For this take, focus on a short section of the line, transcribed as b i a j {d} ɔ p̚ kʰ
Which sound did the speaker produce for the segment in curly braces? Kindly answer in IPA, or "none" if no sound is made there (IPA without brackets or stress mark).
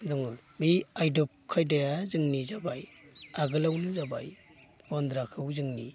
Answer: d